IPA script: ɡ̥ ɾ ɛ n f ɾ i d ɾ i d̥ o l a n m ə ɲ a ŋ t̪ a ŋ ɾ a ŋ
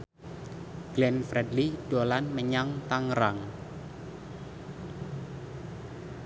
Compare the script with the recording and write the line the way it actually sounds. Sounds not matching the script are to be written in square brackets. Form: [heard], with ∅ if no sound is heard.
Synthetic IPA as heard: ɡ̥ [l] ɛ n f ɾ [ɛ] d [l] i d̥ o l a n m ə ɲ a ŋ t̪ a ŋ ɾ a ŋ